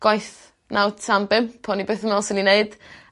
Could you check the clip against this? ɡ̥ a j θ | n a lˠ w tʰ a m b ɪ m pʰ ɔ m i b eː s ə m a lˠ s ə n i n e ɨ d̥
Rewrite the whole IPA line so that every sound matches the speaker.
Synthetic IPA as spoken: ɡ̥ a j θ | n a w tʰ a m b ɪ m pʰ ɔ n i b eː θ ə m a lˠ s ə n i n e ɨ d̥